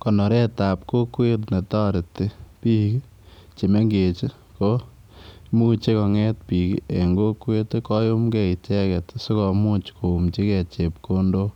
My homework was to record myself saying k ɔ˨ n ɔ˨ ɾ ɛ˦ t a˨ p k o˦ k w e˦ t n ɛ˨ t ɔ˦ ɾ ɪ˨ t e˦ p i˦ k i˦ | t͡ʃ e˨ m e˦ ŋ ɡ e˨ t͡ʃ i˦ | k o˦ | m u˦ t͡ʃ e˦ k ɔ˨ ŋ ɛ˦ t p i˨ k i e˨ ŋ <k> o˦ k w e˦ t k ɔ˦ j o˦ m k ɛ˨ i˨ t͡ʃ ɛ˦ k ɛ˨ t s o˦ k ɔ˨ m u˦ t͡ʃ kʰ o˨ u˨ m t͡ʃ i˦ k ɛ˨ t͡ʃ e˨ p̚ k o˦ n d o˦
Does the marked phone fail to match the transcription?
yes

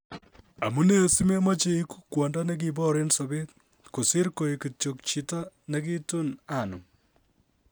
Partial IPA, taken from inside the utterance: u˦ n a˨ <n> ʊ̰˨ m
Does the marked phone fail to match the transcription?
no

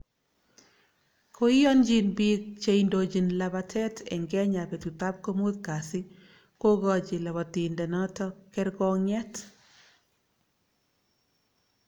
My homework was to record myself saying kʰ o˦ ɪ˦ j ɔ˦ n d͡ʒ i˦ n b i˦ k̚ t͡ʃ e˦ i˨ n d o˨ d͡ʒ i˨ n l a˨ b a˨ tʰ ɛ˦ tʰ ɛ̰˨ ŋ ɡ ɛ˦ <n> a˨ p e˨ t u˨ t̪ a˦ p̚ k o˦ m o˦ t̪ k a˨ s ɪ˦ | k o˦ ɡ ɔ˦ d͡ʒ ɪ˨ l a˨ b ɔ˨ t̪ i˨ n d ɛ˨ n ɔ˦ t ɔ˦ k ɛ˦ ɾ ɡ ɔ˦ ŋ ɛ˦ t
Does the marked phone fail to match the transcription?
yes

